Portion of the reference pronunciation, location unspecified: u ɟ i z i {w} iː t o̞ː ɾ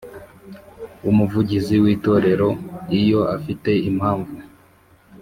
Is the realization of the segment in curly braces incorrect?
no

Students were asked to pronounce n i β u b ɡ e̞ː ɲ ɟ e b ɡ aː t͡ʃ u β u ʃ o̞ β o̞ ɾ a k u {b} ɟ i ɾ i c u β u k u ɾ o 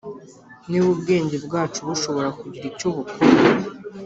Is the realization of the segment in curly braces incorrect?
yes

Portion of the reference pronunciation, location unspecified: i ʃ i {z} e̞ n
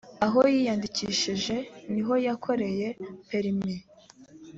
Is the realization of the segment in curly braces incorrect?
yes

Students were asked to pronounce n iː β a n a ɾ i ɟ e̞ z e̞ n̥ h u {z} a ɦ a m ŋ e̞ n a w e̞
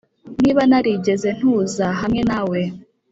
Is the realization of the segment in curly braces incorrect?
no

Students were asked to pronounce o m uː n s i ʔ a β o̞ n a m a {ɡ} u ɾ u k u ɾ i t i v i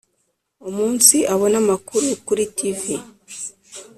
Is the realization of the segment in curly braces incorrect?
yes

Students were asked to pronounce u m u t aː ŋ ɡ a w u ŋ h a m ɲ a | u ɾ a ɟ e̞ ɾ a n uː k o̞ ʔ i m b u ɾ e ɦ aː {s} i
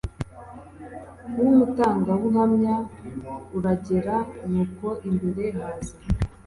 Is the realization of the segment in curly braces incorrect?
yes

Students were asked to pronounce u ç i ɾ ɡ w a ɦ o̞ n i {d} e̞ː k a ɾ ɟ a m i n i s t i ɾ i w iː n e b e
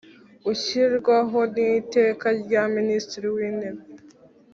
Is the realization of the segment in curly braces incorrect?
yes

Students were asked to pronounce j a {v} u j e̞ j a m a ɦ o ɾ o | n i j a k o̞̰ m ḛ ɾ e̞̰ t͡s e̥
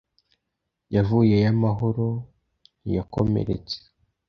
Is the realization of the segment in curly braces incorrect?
no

